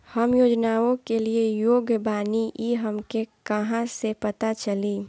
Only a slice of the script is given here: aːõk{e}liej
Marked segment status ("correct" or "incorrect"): correct